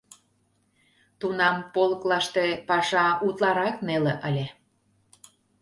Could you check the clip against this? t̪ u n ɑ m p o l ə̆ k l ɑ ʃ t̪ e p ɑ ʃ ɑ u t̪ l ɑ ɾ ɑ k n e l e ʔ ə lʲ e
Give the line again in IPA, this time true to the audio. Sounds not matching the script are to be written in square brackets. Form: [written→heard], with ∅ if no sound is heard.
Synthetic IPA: t̪ u n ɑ m p o l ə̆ k l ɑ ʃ t̪ e p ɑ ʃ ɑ u t̪ l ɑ ɾ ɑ k n e l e ʔ ə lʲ e